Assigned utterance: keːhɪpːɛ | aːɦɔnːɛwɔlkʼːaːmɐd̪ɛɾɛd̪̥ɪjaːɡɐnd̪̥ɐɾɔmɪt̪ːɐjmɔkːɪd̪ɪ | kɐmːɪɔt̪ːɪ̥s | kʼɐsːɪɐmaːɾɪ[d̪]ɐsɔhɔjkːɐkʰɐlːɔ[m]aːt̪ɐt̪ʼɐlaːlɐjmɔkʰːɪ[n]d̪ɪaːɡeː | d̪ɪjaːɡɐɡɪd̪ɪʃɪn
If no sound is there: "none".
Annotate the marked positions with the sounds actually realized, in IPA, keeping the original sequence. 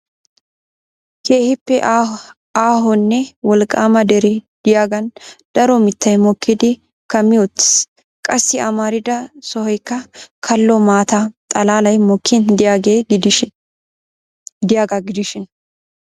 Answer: d̪, m, n

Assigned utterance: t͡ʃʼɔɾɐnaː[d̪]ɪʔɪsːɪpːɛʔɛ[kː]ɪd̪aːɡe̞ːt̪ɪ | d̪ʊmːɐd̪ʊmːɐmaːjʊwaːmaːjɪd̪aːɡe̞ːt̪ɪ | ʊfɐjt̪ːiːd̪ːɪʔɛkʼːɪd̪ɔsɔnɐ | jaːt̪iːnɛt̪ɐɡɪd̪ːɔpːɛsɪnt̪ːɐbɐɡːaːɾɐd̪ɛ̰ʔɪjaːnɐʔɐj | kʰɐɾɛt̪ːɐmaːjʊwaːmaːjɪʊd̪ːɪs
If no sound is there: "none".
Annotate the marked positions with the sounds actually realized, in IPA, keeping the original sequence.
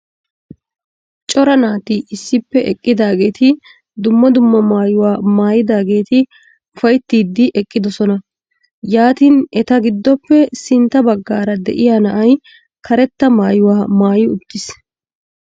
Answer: t̪, kʼː

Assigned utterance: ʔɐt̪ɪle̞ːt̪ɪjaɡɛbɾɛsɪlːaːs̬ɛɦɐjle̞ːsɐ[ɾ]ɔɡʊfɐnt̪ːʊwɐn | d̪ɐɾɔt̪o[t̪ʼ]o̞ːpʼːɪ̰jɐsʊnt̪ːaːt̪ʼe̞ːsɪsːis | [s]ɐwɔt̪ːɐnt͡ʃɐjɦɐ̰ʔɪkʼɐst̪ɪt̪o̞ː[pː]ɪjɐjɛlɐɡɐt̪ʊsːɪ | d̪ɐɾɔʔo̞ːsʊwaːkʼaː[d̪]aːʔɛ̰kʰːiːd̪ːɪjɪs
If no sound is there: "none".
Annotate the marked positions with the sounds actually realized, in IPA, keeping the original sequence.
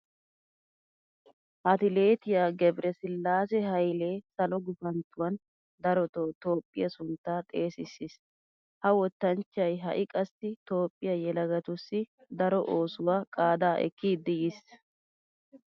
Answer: l, t̪, h, pʼː, d̪

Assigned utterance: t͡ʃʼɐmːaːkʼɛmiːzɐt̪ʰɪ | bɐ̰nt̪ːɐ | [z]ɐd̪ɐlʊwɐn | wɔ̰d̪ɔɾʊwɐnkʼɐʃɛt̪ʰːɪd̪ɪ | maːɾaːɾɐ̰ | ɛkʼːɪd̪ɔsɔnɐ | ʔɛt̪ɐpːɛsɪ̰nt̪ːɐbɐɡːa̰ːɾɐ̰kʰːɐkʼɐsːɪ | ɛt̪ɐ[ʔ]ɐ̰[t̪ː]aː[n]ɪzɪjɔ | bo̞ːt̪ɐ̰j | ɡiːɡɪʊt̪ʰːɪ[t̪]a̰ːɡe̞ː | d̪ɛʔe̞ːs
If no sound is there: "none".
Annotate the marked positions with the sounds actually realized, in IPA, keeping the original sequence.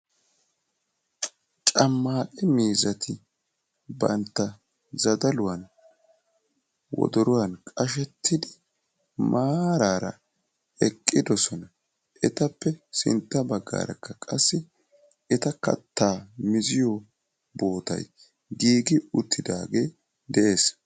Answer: z, k, t̪ː, m, d̪

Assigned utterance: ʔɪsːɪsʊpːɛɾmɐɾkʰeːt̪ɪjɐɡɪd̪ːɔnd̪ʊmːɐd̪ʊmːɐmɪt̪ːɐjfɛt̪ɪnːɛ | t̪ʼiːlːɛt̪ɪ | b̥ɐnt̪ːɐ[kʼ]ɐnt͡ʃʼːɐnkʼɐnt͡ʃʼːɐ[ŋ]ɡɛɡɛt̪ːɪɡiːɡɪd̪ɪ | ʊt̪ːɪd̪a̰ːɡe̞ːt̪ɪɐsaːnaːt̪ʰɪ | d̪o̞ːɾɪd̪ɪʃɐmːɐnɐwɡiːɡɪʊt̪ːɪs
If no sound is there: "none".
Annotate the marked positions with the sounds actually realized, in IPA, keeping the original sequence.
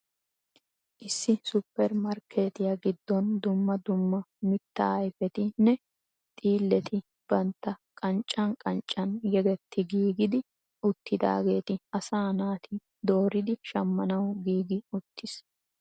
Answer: kʼ, n

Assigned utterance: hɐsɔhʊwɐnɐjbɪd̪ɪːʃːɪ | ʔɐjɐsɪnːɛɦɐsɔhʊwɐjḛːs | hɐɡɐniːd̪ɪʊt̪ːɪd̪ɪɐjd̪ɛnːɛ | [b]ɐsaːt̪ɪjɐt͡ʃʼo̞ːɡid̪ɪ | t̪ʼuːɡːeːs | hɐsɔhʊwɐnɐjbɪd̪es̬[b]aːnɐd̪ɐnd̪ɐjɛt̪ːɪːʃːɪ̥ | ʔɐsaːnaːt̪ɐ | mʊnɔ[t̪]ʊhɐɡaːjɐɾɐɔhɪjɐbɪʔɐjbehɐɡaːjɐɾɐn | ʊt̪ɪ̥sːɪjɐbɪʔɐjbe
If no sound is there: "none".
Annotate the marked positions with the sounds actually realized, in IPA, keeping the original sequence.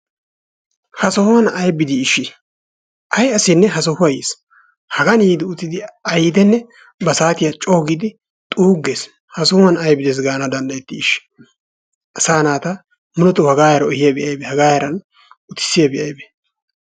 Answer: b, ɡ, t̪

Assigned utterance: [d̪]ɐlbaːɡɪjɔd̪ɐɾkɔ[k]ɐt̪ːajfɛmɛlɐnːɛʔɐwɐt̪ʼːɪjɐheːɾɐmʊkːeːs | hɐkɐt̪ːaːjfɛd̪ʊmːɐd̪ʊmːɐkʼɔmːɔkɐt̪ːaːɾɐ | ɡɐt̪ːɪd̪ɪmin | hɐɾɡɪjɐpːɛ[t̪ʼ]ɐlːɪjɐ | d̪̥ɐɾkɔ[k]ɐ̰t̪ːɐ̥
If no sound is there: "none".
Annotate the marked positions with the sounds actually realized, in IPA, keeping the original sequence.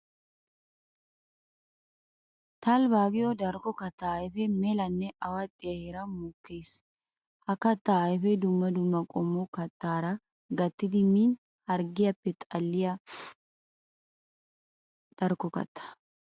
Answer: t̪, k, t̪ʼ, k

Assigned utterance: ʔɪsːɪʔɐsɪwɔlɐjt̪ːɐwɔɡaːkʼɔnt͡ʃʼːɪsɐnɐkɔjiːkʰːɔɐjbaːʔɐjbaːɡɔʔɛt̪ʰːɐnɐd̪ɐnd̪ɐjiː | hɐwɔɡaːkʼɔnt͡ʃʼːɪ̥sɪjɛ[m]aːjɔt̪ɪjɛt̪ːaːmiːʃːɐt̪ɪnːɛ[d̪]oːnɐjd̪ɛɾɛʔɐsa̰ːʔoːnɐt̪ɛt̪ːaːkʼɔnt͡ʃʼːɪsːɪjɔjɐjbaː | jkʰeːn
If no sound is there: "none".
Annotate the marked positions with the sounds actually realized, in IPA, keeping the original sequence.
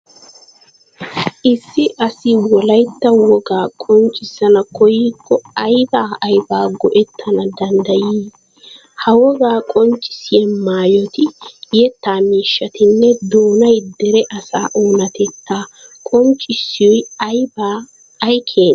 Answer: m, d̪

